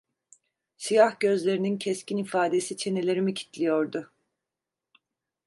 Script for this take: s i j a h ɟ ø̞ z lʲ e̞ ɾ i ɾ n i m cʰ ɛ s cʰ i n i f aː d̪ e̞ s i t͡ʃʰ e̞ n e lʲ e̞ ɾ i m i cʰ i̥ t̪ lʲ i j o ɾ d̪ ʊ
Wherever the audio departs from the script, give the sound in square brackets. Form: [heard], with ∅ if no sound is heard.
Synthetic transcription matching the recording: s i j a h ɟ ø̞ z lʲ e̞ ɾ i [∅] n i [n] cʰ ɛ s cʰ i n i f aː d̪ e̞ s i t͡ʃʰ e̞ n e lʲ e̞ ɾ i m i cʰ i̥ t̪ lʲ i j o ɾ d̪ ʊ